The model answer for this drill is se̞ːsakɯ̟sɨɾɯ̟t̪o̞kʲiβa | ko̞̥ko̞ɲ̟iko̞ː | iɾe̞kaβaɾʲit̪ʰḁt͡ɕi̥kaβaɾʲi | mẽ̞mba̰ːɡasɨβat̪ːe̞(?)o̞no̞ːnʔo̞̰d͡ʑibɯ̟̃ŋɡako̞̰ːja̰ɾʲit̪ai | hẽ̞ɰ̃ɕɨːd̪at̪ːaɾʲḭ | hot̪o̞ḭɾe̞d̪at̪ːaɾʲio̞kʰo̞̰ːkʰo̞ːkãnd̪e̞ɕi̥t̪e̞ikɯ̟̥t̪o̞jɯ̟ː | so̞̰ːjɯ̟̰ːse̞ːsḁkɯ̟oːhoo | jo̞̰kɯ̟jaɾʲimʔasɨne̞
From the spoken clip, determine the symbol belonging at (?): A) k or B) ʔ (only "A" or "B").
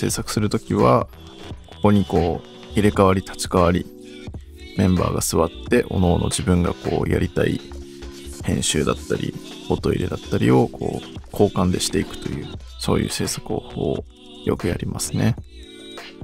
B